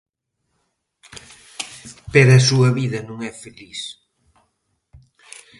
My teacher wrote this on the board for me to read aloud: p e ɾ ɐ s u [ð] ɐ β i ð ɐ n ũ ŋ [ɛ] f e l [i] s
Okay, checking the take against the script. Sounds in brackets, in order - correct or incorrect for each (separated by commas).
incorrect, correct, correct